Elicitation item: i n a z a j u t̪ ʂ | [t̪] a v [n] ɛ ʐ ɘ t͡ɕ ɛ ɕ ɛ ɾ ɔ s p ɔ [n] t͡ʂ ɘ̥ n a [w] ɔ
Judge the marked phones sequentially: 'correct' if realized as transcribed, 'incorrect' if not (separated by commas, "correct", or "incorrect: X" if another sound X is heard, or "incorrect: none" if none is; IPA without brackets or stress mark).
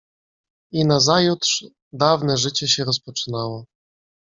incorrect: d̪, correct, incorrect: none, correct